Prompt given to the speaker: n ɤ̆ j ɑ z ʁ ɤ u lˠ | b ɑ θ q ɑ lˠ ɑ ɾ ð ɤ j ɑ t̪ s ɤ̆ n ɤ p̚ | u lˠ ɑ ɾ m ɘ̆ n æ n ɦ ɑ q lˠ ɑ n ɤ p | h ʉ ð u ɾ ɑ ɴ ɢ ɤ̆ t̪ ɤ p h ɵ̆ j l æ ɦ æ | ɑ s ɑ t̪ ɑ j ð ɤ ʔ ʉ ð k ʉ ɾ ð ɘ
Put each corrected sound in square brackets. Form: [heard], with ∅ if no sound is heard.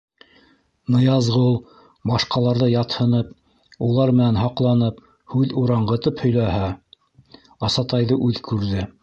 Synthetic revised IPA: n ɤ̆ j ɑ z ʁ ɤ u lˠ | b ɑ [ʃ] q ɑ lˠ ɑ ɾ ð ɤ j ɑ t̪ [h] ɤ̆ n ɤ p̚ | u lˠ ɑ ɾ m ɘ̆ n æ n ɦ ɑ q lˠ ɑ n ɤ p | h ʉ ð u ɾ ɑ ɴ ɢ ɤ̆ t̪ ɤ p h ɵ̆ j l æ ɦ æ | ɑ s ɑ t̪ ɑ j ð ɤ ʔ ʉ ð k ʉ ɾ ð ɘ